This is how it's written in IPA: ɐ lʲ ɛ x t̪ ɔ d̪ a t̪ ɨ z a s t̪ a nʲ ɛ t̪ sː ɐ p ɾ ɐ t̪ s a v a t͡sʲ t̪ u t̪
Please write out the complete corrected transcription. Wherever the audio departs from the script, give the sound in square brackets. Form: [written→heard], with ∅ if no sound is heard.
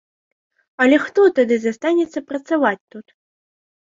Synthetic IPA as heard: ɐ lʲ ɛ x t̪ ɔ [d̪→t̪] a [t̪→d̪] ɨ z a s t̪ a nʲ ɛ t̪ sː ɐ p ɾ ɐ t̪ s a v a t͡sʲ t̪ u t̪